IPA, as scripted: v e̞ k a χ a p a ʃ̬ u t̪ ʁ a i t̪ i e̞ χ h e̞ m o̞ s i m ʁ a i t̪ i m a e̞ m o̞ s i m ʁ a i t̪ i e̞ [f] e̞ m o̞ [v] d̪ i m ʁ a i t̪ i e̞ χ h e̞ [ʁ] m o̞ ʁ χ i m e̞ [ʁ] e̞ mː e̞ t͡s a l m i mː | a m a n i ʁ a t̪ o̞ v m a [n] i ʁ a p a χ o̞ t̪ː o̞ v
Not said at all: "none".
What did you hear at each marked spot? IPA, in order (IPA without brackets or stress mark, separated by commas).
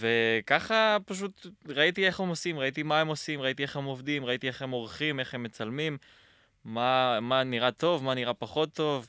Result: χ, v, none, χ, n